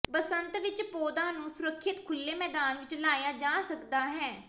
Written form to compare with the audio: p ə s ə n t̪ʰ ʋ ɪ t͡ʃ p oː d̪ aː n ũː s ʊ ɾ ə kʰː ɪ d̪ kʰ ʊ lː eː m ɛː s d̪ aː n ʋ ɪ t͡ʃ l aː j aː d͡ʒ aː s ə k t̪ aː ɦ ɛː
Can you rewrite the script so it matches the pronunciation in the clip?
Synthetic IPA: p ə s ə n t̪ ʋ ɪ t͡ʃ p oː d̪ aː n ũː s ʊ ɾ ə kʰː ɪ t̪ kʰ ʊ lː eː m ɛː d̪ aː n ʋ ɪ t͡ʃ l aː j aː d͡ʒ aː s ə k d̪ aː ɦ ɛː